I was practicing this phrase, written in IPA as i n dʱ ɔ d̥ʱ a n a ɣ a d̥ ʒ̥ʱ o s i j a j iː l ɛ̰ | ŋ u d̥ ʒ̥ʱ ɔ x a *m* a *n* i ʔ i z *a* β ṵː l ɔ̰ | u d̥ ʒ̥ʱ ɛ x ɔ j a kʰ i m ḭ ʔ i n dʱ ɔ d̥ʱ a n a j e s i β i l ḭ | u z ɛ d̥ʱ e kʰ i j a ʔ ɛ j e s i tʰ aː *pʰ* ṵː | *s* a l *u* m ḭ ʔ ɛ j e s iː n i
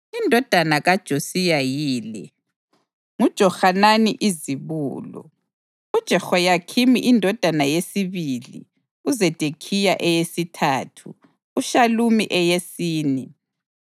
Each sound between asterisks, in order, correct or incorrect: incorrect: n, correct, incorrect: i, incorrect: tʰ, incorrect: ʃ, correct

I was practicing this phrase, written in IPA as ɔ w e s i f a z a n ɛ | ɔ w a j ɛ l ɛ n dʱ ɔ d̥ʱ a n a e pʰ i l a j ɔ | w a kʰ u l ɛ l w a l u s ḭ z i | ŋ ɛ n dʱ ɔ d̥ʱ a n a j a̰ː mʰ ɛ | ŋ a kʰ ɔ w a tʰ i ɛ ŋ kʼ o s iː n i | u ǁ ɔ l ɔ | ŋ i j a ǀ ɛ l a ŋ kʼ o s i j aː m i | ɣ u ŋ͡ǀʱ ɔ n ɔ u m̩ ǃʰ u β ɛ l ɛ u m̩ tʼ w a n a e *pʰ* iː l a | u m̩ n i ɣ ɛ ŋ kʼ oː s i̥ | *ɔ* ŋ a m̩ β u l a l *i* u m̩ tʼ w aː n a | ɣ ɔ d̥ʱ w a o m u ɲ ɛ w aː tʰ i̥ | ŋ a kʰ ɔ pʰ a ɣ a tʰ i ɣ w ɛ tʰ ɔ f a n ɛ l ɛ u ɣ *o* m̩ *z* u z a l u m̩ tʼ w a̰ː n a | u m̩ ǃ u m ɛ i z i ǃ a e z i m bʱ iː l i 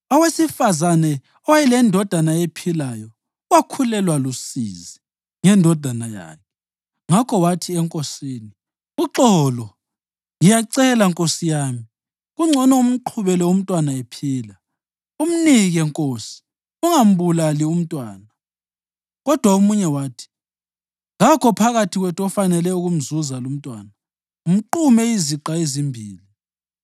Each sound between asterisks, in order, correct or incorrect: correct, incorrect: u, correct, incorrect: u, correct

